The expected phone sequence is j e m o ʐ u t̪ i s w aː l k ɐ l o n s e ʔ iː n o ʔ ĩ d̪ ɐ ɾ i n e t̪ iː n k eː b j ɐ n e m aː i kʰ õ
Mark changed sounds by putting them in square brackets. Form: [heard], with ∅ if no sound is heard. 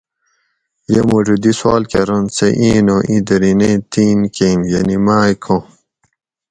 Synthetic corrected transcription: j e m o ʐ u [d̪] i s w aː l k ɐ [ɾ] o n s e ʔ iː n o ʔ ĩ d̪ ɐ ɾ i n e t̪ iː n k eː [m] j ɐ n [i] m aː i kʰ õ

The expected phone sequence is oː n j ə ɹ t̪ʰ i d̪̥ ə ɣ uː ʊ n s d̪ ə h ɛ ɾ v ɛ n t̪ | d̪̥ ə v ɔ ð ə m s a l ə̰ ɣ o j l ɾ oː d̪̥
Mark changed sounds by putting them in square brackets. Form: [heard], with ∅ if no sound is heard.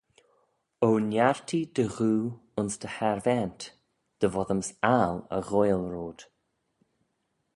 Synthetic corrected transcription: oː n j [a] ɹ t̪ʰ i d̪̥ ə ɣ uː ʊ n s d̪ ə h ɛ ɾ v ɛ n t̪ | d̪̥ ə v ɔ ð ə m s a l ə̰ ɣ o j l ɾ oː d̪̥

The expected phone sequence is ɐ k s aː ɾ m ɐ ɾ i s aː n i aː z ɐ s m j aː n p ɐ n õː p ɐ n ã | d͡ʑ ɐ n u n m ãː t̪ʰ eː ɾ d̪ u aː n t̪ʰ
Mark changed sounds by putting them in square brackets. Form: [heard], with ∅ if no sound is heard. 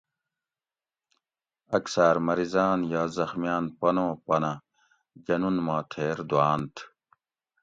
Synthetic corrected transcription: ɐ k s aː ɾ m ɐ ɾ i [z] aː n [j] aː z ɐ [x] m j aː n p ɐ n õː p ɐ n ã | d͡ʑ ɐ n u n m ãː t̪ʰ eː ɾ d̪ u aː n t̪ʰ

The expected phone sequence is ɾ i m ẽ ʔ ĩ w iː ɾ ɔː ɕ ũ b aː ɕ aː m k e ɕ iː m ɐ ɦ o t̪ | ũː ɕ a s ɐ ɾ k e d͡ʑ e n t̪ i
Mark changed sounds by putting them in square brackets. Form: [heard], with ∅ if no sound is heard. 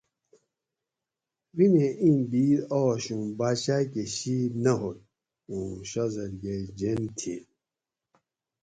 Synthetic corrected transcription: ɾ i m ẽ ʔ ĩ [b] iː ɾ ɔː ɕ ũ b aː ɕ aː [∅] k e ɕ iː [n] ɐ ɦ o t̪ | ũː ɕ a [z] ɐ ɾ [ɡ] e d͡ʑ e n [t̪ʰ] i

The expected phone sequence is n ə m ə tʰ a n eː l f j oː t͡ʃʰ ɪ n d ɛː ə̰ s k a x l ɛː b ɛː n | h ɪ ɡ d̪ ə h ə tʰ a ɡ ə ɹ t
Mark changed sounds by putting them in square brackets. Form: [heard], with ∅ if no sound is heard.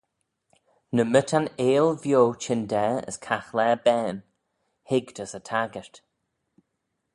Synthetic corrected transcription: n ə m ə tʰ a n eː l [v] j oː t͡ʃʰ ɪ n d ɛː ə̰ s [kʰ] a x l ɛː b ɛː n | h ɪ ɡ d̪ ə [s] ə tʰ a ɡ ə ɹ t

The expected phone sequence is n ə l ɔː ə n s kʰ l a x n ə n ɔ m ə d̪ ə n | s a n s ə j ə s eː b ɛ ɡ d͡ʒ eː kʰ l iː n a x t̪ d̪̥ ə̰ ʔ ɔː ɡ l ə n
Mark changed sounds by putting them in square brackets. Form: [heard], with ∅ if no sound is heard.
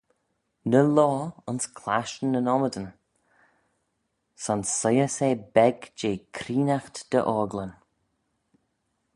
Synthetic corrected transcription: n ə l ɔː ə n s kʰ l a [ʃ] n ə n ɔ m ə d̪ ə n | s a n s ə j ə s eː b ɛ ɡ d͡ʒ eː kʰ [ɾ] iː n a x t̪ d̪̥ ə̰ ʔ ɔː ɡ l ə n

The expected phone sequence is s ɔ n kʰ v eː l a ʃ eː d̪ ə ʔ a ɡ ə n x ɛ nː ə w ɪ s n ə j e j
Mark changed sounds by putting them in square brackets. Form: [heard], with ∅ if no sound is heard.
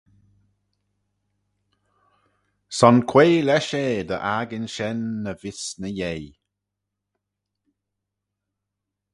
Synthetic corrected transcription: s ɔ n kʰ [w] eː l [ɛ] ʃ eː d̪ ə ʔ a ɡ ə n [ʃ] ɛ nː ə [v] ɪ s n ə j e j

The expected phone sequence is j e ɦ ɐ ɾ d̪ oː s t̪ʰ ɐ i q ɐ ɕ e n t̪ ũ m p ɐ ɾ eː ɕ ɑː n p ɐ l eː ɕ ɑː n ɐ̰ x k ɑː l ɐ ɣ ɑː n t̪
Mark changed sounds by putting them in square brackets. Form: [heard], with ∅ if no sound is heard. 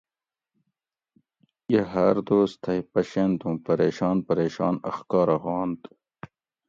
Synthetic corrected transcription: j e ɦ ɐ ɾ d̪ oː s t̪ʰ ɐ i [p] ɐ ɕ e n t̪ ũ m p ɐ ɾ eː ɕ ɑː n p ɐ [ɾ] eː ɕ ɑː n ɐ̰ x k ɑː [ɾ] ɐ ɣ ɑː n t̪

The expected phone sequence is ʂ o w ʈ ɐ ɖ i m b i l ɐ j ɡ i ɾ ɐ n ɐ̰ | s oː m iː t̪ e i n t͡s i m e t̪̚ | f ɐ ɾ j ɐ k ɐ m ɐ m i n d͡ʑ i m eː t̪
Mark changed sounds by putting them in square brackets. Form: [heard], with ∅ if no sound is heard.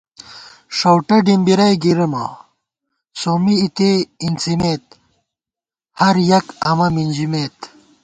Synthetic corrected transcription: ʂ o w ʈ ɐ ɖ i m b i [ɾ] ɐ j ɡ i ɾ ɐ [m] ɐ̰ | s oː m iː t̪ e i n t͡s i m e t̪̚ | [h] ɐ ɾ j ɐ k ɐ m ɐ m i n d͡ʑ i m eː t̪

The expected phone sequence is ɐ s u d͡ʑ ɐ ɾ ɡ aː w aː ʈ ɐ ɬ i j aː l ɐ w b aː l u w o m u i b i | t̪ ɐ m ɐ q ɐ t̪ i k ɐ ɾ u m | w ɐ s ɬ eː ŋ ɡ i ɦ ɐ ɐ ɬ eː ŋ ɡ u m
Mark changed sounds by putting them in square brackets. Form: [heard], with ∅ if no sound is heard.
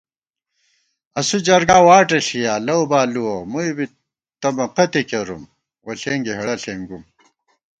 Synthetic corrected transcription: ɐ s u d͡ʑ ɐ ɾ ɡ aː w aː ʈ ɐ ɬ i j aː l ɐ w b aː l u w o m u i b i | t̪ ɐ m ɐ q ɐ t̪ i k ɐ ɾ u m | w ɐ [∅] ɬ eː ŋ ɡ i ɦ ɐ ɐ ɬ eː ŋ ɡ u m

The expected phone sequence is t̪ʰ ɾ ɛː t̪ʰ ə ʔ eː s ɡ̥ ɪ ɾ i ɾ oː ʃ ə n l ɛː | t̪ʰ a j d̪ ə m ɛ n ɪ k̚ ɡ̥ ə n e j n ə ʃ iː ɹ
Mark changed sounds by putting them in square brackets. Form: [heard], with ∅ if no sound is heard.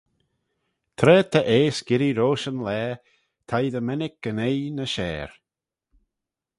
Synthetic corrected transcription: t̪ʰ ɾ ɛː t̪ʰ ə ʔ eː s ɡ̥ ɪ ɾ i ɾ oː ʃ ə n l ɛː | t̪ʰ a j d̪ ə m ɛ n ɪ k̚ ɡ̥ ə n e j n ə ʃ [ɛː] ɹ

